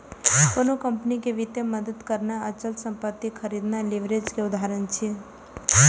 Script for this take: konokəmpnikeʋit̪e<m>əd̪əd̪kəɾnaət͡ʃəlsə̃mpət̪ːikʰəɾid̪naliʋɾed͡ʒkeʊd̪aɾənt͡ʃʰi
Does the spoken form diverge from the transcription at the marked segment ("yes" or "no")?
no